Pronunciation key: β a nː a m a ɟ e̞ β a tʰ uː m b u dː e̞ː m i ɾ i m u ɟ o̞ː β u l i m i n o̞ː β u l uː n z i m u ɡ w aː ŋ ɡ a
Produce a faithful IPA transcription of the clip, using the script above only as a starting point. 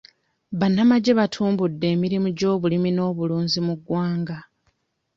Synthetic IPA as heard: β a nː a m a ɟ e̞ β a tʰ uː m b u dː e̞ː m i ɾ i m u ɟ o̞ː β u l i m i n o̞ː β u l uː n z i m u ɡ w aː ŋ ɡ a